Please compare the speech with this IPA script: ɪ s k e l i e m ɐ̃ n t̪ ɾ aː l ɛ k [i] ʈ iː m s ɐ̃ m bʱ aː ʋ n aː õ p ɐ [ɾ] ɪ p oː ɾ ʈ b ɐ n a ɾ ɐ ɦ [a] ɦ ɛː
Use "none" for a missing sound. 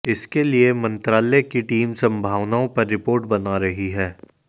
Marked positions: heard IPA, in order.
i, ɾː, i

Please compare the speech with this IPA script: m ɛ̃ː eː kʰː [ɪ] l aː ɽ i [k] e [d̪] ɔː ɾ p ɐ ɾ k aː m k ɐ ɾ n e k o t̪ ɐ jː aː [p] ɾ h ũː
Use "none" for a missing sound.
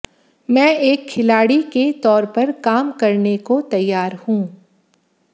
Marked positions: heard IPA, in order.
ɪ, k, t̪, none

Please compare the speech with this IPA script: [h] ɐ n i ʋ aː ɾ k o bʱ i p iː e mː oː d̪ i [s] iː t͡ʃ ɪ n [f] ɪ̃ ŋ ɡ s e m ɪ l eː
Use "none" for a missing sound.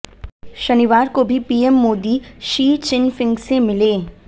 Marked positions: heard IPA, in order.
ʃ, ʃ, f

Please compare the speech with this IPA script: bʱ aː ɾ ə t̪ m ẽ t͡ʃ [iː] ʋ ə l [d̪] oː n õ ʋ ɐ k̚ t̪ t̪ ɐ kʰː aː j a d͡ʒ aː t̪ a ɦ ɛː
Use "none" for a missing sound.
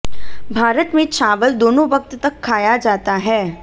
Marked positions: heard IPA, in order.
aː, d̪

